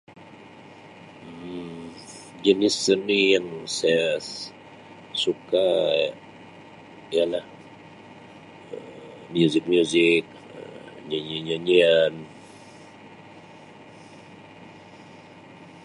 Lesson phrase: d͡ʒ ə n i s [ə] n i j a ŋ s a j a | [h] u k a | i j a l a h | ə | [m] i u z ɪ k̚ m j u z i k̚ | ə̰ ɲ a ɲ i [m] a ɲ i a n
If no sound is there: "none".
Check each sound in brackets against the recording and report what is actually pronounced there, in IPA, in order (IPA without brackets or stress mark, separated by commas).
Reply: ə, s, m, ɲ